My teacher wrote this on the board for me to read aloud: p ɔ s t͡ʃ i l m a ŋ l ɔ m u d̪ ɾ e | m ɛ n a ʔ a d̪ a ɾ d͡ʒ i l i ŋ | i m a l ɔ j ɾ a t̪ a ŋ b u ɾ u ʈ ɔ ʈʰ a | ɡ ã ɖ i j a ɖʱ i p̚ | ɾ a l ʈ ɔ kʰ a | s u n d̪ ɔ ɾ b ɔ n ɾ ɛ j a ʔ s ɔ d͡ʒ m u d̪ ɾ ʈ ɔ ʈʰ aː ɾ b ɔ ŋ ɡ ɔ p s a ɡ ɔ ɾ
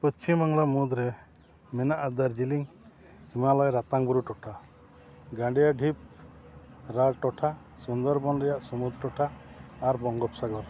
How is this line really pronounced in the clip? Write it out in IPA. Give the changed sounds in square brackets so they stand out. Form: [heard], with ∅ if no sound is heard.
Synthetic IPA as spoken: p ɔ s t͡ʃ i [∅] m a ŋ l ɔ m u d̪ ɾ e | m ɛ n a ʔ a d̪ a ɾ d͡ʒ i l i ŋ | i m a l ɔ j ɾ a t̪ a ŋ b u ɾ u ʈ ɔ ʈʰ a | ɡ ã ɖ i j a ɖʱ i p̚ | ɾ a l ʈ ɔ [ʈʰ] a | s u n d̪ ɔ ɾ b ɔ n ɾ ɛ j a ʔ s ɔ [∅] m u d̪ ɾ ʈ ɔ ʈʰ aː ɾ b ɔ ŋ ɡ ɔ p s a ɡ ɔ ɾ